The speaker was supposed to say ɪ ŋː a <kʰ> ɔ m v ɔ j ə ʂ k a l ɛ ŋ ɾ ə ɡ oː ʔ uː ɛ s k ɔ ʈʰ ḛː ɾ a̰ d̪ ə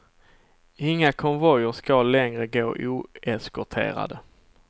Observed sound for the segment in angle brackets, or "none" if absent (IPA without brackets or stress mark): kʰ